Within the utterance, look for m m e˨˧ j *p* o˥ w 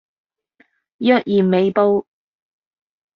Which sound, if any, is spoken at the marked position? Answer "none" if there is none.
p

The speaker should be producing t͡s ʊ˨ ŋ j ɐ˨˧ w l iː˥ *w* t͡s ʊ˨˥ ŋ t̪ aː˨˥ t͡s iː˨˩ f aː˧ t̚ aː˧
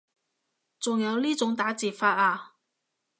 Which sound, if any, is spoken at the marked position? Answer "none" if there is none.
none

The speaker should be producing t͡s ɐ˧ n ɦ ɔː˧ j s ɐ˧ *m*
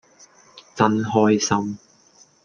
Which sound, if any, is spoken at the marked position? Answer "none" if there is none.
m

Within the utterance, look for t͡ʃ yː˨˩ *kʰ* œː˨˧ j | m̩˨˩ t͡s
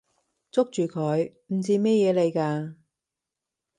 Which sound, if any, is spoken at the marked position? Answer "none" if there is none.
kʰ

